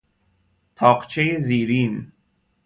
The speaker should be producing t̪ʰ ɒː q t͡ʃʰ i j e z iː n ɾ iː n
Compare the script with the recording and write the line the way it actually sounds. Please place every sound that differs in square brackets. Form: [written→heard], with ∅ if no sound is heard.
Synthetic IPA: t̪ʰ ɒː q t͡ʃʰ [i→e] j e z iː [n→∅] ɾ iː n